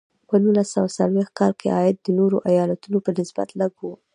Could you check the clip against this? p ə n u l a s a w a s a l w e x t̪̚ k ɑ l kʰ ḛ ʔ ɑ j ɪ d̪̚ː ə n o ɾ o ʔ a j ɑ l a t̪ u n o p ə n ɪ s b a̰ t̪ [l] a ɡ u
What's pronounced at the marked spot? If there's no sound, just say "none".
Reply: l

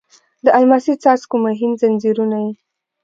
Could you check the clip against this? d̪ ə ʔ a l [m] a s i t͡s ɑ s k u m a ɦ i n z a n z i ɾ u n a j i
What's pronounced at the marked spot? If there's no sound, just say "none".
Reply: m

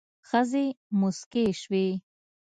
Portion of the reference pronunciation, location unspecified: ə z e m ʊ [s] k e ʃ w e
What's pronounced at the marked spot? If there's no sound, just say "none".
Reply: s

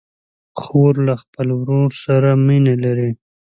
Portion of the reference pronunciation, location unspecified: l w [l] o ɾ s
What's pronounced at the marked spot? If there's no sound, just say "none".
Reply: ɾ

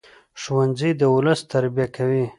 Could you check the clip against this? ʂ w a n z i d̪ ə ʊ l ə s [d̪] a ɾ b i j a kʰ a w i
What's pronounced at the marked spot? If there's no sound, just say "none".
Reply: t̪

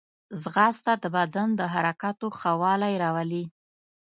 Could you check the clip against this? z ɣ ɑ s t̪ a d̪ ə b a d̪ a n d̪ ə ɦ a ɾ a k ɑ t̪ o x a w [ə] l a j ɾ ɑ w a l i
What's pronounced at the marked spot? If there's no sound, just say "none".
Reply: ɑ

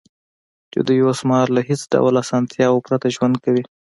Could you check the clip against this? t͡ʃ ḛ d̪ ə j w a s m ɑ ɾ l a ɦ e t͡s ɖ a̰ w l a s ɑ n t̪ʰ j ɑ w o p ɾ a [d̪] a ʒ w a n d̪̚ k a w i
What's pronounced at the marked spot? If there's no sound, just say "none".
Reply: t̪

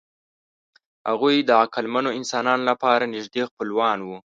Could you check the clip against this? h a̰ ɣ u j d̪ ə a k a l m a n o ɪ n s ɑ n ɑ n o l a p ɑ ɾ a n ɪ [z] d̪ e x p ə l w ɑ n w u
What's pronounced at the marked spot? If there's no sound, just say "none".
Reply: ʒ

